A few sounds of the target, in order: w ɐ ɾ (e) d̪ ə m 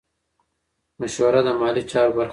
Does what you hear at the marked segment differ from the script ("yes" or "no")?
yes